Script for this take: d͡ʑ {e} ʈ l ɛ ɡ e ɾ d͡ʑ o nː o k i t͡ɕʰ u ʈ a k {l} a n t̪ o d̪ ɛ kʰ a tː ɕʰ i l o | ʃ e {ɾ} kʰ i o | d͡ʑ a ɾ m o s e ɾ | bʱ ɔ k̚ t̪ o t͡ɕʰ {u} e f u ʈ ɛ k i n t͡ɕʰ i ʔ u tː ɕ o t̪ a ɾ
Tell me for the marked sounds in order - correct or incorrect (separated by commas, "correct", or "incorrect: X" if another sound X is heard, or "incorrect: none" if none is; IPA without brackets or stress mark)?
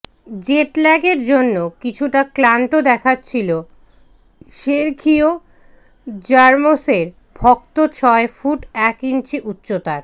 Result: correct, correct, correct, incorrect: ɔ